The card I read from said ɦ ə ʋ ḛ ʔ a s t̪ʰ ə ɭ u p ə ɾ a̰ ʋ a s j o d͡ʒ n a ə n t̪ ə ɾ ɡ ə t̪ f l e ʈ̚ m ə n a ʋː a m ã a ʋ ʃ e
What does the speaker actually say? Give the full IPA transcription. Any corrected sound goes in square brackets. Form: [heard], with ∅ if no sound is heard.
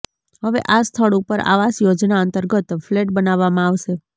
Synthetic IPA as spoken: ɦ ə ʋ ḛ ʔ a s t̪ʰ ə ɭ u p ə ɾ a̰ ʋ a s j o d͡ʒ n a ə n t̪ ə ɾ ɡ ə t̪ f l e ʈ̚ [b] ə n a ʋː a m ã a ʋ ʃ e

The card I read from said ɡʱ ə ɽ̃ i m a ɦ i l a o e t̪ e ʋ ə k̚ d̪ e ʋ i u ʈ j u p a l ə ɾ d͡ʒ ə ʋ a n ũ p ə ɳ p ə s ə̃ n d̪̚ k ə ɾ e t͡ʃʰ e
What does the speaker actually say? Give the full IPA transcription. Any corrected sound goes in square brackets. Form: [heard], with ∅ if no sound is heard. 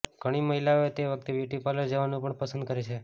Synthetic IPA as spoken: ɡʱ ə ɽ̃ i m [ə] ɦ i l a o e t̪ e ʋ ə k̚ [t̪] e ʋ [j] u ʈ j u p a l ə ɾ d͡ʒ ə ʋ a n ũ p ə ɳ p ə s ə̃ n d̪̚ k ə ɾ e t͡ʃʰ e

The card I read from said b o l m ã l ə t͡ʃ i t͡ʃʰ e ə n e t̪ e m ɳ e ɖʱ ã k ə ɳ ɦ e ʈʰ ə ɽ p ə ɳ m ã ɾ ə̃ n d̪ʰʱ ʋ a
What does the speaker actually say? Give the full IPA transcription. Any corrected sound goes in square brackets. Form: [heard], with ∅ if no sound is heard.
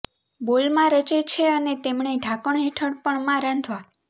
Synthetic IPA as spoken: b o l m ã [ɾ] ə t͡ʃ [e] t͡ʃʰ e ə n e t̪ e m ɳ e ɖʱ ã k ə ɳ ɦ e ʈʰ ə ɽ p ə ɳ m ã ɾ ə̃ n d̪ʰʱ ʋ a

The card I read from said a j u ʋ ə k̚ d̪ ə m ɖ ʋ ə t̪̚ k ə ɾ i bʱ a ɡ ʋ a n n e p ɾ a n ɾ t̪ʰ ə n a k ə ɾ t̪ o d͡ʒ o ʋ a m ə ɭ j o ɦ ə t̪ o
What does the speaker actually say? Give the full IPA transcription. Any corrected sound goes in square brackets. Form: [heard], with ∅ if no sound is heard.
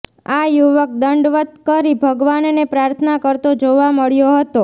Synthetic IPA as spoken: a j u ʋ ə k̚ d̪ ə [ɳ] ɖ ʋ ə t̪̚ k ə ɾ i bʱ [ə] ɡ ʋ a n n e p ɾ a [∅] ɾ t̪ʰ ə n a k ə ɾ t̪ o d͡ʒ o ʋ a m ə ɭ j o ɦ ə t̪ o

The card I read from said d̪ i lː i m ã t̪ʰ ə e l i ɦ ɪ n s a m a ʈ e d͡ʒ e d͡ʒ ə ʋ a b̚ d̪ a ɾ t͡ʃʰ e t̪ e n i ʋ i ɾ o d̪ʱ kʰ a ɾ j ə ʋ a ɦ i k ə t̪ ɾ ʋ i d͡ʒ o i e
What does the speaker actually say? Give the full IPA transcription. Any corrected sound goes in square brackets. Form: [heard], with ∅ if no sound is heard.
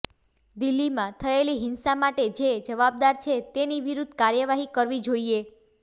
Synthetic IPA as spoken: d̪ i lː i m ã t̪ʰ ə e l i ɦ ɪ n s a m a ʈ e d͡ʒ e d͡ʒ ə ʋ a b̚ d̪ a ɾ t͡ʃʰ e t̪ e n i ʋ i ɾ [u] d̪ʱ [k] a ɾ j ə ʋ a ɦ i k ə [∅] ɾ ʋ i d͡ʒ o i e

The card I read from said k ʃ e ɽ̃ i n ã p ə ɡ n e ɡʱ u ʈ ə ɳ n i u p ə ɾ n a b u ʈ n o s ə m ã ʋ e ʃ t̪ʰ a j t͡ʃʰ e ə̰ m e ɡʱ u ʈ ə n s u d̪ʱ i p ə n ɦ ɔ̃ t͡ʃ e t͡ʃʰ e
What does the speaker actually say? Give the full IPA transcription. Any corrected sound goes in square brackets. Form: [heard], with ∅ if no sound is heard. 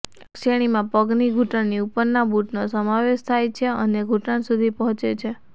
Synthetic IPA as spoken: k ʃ e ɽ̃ i [m] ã p ə ɡ n [i] ɡʱ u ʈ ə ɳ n i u p ə ɾ n a b u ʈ n o s ə m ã ʋ e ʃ t̪ʰ a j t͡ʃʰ e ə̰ [n] e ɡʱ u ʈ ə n s u d̪ʱ i p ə [∅] ɦ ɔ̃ t͡ʃ e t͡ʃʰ e

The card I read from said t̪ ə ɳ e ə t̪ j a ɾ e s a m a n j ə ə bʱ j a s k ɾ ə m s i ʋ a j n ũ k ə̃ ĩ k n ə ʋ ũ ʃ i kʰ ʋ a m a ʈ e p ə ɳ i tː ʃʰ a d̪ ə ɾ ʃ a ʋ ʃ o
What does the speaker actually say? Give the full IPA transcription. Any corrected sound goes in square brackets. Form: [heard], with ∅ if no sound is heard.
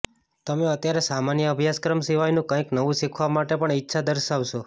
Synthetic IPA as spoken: t̪ ə [m] e ə t̪ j a ɾ e s a m a n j ə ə bʱ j a s k ɾ ə m s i ʋ a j n ũ k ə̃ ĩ k n ə ʋ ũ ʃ i kʰ ʋ a m a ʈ e p ə ɳ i tː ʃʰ a d̪ ə ɾ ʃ a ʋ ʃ o

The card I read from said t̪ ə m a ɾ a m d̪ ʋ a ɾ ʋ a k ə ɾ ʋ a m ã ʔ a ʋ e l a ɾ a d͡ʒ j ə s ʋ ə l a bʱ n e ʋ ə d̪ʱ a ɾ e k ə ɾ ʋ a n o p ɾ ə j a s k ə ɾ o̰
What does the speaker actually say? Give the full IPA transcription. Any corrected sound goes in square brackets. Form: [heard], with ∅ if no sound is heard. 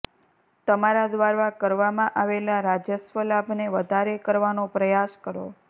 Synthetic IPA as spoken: t̪ ə m a ɾ a [∅] d̪ ʋ a ɾ ʋ a k ə ɾ ʋ a m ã ʔ a ʋ e l a ɾ a d͡ʒ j ə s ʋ ə l a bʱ n e ʋ ə d̪ʱ a ɾ e k ə ɾ ʋ a n o p ɾ ə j a s k ə ɾ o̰

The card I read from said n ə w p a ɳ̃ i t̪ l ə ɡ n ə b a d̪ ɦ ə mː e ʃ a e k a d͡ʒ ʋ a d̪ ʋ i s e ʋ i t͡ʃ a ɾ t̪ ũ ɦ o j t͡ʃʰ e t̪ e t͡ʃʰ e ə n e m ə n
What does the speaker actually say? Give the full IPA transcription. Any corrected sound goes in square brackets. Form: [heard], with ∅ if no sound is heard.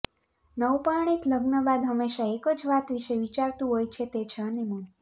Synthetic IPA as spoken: n ə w p a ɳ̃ i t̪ l ə ɡ n ə b a d̪ ɦ ə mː e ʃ a e k [ə] d͡ʒ ʋ a [t̪] ʋ i [ʃ] e ʋ i t͡ʃ a ɾ t̪ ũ ɦ o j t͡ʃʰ e t̪ e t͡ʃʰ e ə n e m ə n

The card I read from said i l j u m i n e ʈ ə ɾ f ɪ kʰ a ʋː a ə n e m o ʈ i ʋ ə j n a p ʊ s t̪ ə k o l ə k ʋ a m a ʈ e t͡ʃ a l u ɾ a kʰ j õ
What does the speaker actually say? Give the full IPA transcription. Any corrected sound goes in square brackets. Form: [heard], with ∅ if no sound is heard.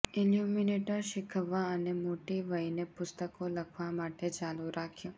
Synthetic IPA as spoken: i l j u m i n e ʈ ə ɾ [ʃ] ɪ kʰ [ə] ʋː a ə n e m o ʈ i ʋ ə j n [e] p ʊ s t̪ ə k o l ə [kʰ] ʋ a m a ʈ e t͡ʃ a l u ɾ a kʰ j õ

